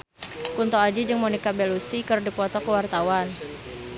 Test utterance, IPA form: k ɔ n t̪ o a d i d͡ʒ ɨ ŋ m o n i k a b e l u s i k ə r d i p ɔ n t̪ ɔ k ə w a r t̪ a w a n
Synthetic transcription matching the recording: k u n t̪ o a d͡ʒ i d͡ʒ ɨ ŋ m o n i k a b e l u s i k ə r d i p ɔ t̪ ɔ k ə w a r t̪ a w a n